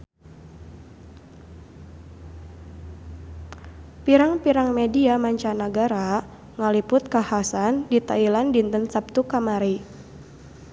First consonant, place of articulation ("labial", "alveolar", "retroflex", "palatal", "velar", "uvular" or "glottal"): labial